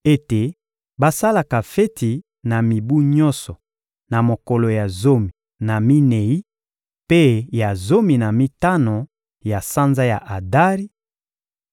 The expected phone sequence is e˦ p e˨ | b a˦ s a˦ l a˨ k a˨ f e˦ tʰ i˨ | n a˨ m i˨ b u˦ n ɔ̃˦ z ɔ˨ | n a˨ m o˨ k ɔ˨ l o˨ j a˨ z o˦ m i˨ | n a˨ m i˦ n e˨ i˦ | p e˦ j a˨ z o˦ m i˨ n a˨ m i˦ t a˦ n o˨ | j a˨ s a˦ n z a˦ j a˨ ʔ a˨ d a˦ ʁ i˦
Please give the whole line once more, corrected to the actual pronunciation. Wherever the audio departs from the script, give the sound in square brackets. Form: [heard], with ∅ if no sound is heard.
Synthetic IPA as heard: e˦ [t] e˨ | b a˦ s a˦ l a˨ k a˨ f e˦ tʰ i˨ | n a˨ m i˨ b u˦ [ɲ] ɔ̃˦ [s] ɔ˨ | n a˨ m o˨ k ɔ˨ l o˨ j a˨ z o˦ m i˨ | n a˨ m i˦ n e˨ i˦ | p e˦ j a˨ z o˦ m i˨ n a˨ m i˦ t a˦ n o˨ | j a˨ s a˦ n z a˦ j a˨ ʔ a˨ d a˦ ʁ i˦